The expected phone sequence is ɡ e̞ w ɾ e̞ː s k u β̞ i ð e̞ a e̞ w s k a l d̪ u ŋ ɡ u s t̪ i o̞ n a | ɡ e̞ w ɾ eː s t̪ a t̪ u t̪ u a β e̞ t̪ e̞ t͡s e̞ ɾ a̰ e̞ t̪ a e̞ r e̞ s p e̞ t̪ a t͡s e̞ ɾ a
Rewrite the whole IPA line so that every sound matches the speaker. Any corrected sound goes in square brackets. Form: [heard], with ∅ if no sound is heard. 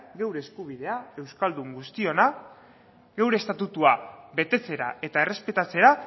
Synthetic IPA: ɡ e̞ w ɾ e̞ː s k u β̞ i ð e̞ a e̞ w s k a l d̪ u ŋ ɡ u s t̪ i o̞ n a | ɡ e̞ w ɾ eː s t̪ a t̪ u t̪ u a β e̞ t̪ e̞ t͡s e̞ ɾ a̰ e̞ t̪ a e̞ r e̞ s p e̞ t̪ a t͡s e̞ ɾ a